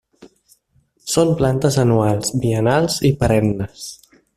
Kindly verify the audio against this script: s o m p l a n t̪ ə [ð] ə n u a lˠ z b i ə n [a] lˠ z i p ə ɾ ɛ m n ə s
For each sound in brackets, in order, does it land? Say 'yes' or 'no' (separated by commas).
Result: no, yes